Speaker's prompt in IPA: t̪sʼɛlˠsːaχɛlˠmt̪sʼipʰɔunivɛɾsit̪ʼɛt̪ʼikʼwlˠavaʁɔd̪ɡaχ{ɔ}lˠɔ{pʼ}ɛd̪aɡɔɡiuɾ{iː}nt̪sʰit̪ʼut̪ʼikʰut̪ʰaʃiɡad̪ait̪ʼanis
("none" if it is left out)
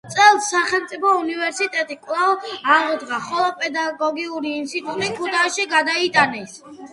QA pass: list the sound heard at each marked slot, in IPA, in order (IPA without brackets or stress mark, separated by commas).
ɔ, pʼ, iː